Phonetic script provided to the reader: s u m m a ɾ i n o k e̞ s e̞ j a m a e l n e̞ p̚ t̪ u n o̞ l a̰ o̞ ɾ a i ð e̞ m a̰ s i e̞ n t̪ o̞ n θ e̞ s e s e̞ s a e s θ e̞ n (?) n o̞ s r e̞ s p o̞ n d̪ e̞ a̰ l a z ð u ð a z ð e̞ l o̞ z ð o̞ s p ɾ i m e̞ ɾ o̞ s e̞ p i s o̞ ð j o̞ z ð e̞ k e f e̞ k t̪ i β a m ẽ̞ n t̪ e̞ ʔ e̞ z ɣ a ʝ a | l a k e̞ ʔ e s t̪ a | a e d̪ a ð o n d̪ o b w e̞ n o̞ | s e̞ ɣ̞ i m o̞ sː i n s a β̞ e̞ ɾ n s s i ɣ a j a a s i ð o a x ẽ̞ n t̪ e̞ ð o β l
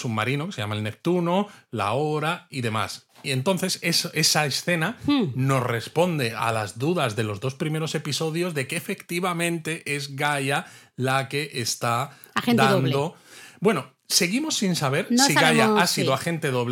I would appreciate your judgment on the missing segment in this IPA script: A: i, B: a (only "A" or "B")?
B